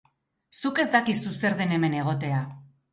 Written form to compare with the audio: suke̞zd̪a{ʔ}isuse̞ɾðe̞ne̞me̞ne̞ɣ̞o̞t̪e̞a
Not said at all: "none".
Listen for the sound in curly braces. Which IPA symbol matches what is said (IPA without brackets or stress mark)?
k